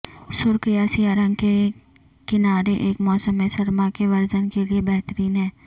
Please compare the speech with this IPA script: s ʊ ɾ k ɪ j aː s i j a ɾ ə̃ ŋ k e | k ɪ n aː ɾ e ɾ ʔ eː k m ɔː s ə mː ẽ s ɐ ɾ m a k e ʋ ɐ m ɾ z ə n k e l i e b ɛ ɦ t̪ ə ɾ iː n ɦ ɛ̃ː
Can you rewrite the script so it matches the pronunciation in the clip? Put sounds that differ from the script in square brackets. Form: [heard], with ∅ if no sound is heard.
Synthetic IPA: s ʊ ɾ k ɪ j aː s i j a ɾ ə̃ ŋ k e | k ɪ n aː ɾ e [∅] ʔ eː k m ɔː s ə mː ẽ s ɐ ɾ m a k e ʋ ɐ [∅] ɾ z ə n k e l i e b ɛ ɦ t̪ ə ɾ iː n ɦ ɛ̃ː